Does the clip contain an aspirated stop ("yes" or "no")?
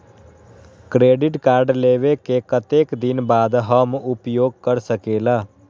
no